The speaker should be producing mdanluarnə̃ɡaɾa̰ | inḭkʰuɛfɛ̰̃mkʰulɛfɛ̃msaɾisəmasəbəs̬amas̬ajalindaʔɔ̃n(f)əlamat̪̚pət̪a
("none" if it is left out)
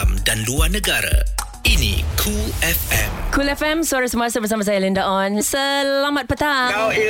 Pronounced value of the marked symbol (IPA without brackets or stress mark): s